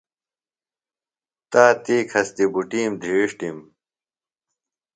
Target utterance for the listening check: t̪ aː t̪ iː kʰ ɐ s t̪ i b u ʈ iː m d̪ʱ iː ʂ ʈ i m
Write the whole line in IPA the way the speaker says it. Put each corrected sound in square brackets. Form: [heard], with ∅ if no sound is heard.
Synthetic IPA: t̪ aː t̪ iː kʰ ɐ s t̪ i b u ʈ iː m d̪ʱ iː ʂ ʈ i m

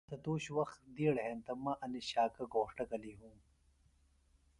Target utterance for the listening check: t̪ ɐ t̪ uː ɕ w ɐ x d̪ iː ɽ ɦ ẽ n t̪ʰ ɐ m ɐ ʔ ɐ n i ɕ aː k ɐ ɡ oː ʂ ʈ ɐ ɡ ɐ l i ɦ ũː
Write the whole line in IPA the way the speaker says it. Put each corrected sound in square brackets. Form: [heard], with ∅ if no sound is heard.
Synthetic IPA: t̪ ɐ t̪ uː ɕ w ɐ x d̪ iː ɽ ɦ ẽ n [t̪] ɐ m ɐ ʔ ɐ n i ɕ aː k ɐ ɡ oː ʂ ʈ ɐ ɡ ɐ l i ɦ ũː

